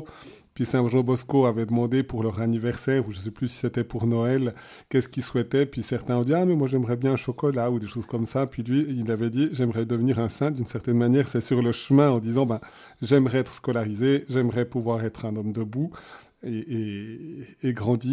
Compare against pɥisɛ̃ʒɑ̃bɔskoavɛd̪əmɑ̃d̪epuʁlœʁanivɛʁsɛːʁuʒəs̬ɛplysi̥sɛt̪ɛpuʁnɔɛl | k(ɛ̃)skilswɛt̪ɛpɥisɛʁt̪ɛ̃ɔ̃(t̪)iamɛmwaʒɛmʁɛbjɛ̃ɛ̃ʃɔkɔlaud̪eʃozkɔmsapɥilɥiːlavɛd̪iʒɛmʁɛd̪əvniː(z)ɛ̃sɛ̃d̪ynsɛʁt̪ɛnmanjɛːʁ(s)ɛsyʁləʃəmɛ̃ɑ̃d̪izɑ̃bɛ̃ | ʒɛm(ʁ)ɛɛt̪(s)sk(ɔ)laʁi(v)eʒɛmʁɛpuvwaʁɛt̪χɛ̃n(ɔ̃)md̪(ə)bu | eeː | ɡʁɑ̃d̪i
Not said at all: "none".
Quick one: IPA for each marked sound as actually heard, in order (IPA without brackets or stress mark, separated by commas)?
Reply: ɛ, d̪, ʁ, s, ʁ, χ, ɔ, z, ɔ, ə